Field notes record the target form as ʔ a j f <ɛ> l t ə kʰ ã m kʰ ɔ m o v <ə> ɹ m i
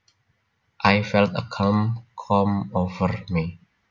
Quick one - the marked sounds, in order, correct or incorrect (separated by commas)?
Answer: correct, correct